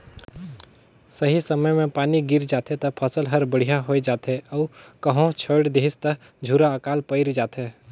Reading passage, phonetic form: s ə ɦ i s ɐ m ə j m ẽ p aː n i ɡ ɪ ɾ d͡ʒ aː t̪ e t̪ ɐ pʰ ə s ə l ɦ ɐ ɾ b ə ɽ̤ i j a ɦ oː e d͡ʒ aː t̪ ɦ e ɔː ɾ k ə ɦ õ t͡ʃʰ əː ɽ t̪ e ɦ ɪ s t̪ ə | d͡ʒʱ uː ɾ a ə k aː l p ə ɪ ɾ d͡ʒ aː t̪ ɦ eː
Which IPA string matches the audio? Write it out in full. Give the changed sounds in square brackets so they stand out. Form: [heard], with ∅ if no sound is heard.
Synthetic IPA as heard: s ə ɦ i s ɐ m ə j m ẽ p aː n i ɡ ɪ ɾ d͡ʒ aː t̪ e t̪ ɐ pʰ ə s ə l ɦ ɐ ɾ b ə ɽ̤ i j a ɦ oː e d͡ʒ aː t̪ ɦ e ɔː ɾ k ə ɦ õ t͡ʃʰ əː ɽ [d̪] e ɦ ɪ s t̪ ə | d͡ʒʱ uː ɾ a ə k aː l p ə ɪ ɾ d͡ʒ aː t̪ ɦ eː